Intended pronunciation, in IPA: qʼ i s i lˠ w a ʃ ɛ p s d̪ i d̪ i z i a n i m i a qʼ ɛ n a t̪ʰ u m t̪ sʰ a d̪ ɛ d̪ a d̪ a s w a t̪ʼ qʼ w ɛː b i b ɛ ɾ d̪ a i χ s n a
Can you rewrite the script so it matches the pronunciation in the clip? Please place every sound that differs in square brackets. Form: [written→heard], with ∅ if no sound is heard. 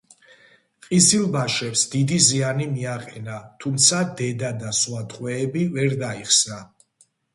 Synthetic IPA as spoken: qʼ i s i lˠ [w→b] a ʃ ɛ p s d̪ i d̪ i z i a n i m i a qʼ ɛ n a t̪ʰ u m t̪ sʰ a d̪ ɛ d̪ a d̪ a s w a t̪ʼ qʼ w ɛː b i [b→v] ɛ ɾ d̪ a i χ s n a

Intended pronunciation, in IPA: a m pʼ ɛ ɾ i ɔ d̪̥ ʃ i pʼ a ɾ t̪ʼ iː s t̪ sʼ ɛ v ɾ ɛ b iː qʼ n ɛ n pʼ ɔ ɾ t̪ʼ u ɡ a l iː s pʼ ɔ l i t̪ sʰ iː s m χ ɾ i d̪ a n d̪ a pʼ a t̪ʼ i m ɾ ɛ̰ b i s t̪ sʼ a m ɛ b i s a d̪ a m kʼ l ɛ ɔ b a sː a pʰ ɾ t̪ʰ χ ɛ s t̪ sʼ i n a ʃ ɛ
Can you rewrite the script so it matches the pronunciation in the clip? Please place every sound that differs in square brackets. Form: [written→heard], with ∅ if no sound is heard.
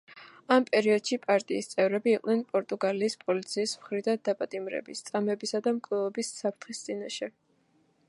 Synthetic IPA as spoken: a m pʼ ɛ ɾ i ɔ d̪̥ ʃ i pʼ a ɾ t̪ʼ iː s t̪ sʼ ɛ v ɾ ɛ b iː qʼ n ɛ n pʼ ɔ ɾ t̪ʼ u ɡ a l iː s pʼ ɔ l i t̪ sʰ iː s m χ ɾ i d̪ a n d̪ a pʼ a t̪ʼ i m ɾ ɛ̰ b i s t̪ sʼ a m ɛ b i s a d̪ a m kʼ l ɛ ɔ b [a→i] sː a pʰ ɾ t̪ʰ χ [ɛ→i] s t̪ sʼ i n a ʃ ɛ

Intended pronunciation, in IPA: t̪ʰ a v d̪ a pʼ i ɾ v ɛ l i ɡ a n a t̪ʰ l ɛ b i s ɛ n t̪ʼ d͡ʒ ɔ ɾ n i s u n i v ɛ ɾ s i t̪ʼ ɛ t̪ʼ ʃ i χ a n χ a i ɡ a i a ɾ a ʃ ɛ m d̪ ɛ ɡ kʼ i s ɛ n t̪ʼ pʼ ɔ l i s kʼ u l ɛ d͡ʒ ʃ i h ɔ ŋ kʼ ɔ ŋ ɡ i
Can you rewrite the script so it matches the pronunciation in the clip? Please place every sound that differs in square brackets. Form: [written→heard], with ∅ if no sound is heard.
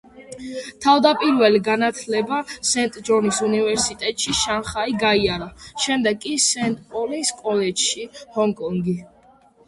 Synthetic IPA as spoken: t̪ʰ a v d̪ a pʼ i ɾ v ɛ l i ɡ a n a t̪ʰ l ɛ b [i→a] s ɛ n t̪ʼ d͡ʒ ɔ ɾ n i s u n i v ɛ ɾ s i t̪ʼ ɛ t̪ʼ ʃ i [χ→ʃ] a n χ a i ɡ a i a ɾ a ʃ ɛ m d̪ ɛ ɡ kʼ i s ɛ n t̪ʼ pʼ ɔ l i s kʼ [u→ɔ] l ɛ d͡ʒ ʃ i h ɔ ŋ kʼ ɔ ŋ ɡ i

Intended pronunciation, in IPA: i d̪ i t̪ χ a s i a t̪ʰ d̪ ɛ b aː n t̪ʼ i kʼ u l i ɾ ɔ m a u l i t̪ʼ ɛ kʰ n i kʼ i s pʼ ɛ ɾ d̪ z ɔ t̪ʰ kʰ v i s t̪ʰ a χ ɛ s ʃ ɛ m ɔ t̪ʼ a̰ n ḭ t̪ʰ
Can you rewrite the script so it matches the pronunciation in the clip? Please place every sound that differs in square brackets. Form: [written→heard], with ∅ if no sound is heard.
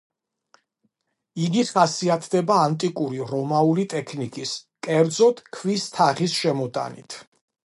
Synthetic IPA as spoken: i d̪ i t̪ χ a s i a t̪ʰ d̪ ɛ b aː n t̪ʼ i kʼ u [l→ɾ] i ɾ ɔ m a u l i t̪ʼ ɛ kʰ n i kʼ i s [pʼ→kʼ] ɛ ɾ d̪ z ɔ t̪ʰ kʰ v i s t̪ʰ a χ [ɛ→i] s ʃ ɛ m ɔ t̪ʼ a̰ n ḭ t̪ʰ

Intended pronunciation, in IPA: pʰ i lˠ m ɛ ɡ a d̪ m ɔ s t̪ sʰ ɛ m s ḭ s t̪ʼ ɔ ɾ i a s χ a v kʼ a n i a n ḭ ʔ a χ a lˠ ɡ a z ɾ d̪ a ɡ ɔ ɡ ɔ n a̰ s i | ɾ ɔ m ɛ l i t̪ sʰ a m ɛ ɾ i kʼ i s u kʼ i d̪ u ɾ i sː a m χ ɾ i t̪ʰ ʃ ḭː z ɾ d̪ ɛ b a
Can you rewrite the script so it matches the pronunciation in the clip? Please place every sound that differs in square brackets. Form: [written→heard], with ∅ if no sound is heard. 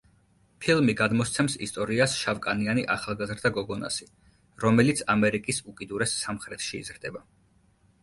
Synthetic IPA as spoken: pʰ i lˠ m [ɛ→i] ɡ a d̪ m ɔ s t̪ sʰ ɛ m s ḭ s t̪ʼ ɔ ɾ i a s [χ→ʃ] a v kʼ a n i a n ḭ ʔ a χ a lˠ ɡ a z ɾ d̪ a ɡ ɔ ɡ ɔ n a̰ s i | ɾ ɔ m ɛ l i t̪ sʰ a m ɛ ɾ i kʼ i s u kʼ i d̪ u ɾ [i→ɛ] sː a m χ ɾ [i→ɛ] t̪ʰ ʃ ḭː z ɾ d̪ ɛ b a

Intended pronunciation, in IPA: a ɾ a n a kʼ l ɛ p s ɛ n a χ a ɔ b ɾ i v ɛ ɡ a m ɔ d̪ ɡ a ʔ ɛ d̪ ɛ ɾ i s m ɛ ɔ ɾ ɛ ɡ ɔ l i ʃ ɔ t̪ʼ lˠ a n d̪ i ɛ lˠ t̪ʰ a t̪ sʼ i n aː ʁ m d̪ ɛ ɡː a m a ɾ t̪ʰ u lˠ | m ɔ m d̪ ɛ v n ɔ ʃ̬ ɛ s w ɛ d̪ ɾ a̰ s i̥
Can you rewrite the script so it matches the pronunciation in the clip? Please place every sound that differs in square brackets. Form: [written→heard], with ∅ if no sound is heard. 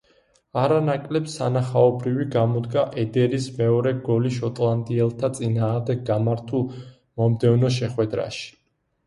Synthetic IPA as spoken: a ɾ a n a kʼ l ɛ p s [ɛ→a] n a χ a ɔ b ɾ i v [ɛ→i] ɡ a m ɔ d̪ ɡ a ʔ ɛ d̪ ɛ ɾ i s m ɛ ɔ ɾ ɛ ɡ ɔ l i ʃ ɔ t̪ʼ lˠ a n d̪ i ɛ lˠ t̪ʰ a t̪ sʼ i n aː ʁ m d̪ ɛ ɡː a m a ɾ t̪ʰ u lˠ | m ɔ m d̪ ɛ v n ɔ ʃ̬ ɛ [s→χ] w ɛ d̪ ɾ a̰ [s→ʃ] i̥

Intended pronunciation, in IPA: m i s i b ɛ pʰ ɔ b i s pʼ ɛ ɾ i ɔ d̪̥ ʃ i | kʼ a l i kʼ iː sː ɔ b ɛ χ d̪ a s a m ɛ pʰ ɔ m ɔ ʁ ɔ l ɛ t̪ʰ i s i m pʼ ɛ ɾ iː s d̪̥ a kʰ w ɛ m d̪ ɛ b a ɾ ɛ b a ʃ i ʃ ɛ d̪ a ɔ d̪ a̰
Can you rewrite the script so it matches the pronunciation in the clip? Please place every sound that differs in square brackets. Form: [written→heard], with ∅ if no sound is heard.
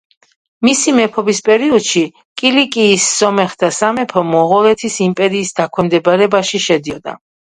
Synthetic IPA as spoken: m i s i [b→m] ɛ pʰ ɔ b i s pʼ ɛ ɾ i ɔ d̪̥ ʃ i | kʼ [a→i] l i kʼ iː sː ɔ [b→m] ɛ χ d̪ a s a m ɛ pʰ ɔ m ɔ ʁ ɔ l ɛ t̪ʰ i s i m pʼ ɛ ɾ iː s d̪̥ a kʰ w ɛ m d̪ ɛ b a ɾ ɛ b a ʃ i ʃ ɛ d̪ [a→i] ɔ d̪ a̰

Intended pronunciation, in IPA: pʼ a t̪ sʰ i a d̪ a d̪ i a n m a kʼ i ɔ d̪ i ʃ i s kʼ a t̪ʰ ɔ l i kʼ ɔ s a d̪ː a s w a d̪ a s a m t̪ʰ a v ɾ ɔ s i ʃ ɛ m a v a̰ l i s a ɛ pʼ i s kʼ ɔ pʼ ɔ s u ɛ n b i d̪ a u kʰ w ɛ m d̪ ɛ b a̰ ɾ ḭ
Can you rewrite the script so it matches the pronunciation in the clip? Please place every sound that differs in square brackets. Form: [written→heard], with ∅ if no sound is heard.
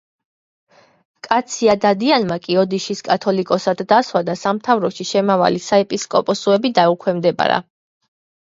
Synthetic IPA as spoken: [pʼ→kʼ] a t̪ sʰ i a d̪ a d̪ i a n m a kʼ i ɔ d̪ i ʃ i s kʼ a t̪ʰ ɔ l i kʼ ɔ s a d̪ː a s w a d̪ a s a m t̪ʰ a v ɾ ɔ [s→ʃ] i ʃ ɛ m a v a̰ l i s a ɛ pʼ i s kʼ ɔ pʼ ɔ s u ɛ [n→∅] b i d̪ a u kʰ w ɛ m d̪ ɛ b a̰ ɾ [ḭ→a̰]

